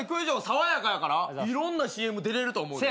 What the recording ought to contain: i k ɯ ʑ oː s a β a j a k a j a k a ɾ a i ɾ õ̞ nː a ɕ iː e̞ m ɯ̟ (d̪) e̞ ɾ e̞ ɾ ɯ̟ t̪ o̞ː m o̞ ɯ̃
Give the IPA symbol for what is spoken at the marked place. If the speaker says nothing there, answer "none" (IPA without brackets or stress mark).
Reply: d̪